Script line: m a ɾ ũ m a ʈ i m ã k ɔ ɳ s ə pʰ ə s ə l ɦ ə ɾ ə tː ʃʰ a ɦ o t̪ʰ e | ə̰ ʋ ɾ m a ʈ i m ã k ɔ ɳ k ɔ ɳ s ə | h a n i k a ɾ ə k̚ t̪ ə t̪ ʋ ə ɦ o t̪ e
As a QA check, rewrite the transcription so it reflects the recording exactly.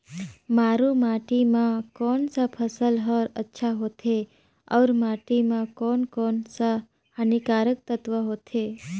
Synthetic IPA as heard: m a ɾ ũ m a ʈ i m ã k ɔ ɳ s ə pʰ ə s ə l ɦ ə ɾ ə tː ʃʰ a ɦ o t̪ʰ e | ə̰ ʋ ɾ m a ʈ i m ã k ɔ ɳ k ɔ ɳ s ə | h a n i k a ɾ ə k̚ t̪ ə t̪ ʋ ə ɦ o t̪ʰ e